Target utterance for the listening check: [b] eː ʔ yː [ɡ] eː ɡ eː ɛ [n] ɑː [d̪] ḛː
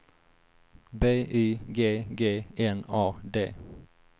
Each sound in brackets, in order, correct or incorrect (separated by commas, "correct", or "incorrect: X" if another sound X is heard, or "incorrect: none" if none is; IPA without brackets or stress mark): correct, correct, correct, correct